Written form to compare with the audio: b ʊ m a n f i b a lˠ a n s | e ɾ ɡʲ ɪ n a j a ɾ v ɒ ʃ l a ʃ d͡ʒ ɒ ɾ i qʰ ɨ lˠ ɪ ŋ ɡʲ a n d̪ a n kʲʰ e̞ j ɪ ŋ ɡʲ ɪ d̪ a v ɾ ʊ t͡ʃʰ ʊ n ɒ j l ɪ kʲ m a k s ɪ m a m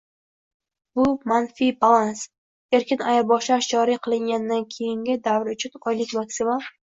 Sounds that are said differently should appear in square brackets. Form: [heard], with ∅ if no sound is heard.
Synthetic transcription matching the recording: b ʊ m a n f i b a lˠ a n s | e ɾ [kʲ] ɪ n a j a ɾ [b] ɒ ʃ l a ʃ d͡ʒ ɒ ɾ i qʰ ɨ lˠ ɪ ŋ ɡʲ a n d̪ a n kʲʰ e̞ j ɪ ŋ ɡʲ ɪ d̪ a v ɾ ʊ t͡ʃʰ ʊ n ɒ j l ɪ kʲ m a k s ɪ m a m